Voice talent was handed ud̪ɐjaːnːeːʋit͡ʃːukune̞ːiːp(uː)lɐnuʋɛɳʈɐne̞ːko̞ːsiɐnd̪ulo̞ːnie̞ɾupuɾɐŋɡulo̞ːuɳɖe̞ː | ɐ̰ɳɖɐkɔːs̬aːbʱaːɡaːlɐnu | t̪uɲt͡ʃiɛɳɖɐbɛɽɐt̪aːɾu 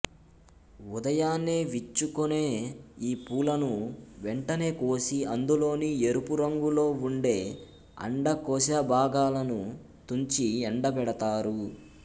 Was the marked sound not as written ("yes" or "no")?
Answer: no